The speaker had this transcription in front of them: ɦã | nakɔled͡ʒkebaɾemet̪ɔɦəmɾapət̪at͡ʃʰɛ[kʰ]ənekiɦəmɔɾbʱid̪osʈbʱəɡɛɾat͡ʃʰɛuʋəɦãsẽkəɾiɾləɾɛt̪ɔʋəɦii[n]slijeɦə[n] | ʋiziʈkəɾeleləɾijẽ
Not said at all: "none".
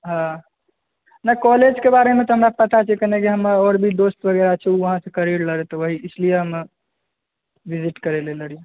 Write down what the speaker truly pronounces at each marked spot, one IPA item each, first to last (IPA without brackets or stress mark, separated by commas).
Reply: k, none, m